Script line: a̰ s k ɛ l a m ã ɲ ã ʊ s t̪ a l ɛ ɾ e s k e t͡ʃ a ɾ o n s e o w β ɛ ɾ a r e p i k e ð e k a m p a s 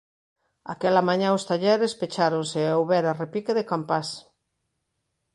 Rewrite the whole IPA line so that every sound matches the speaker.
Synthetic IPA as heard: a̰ k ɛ l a m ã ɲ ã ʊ s t̪ a ʎ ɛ ɾ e s p e t͡ʃ a ɾ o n s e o w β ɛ ɾ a r e p i k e ð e k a m p a s